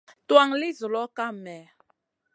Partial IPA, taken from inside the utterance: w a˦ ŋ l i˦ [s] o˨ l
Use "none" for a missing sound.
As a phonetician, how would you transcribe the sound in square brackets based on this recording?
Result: z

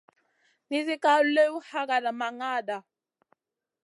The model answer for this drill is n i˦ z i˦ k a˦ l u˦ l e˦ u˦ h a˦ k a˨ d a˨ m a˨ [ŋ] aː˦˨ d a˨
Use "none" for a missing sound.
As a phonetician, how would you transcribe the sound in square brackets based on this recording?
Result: ŋ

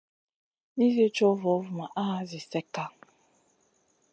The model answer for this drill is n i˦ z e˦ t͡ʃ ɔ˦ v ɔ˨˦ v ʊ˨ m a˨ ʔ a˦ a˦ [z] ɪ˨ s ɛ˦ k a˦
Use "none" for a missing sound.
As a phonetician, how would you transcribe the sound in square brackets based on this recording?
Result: z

